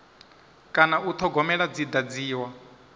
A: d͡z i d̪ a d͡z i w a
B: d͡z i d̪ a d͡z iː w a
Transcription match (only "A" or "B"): B